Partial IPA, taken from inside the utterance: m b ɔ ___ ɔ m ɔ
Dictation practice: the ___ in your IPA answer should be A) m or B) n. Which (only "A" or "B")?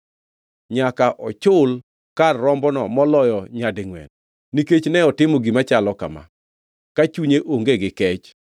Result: B